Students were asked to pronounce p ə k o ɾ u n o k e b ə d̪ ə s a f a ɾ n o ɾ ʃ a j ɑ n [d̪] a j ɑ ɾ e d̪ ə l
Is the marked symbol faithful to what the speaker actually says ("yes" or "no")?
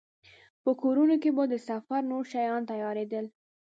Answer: no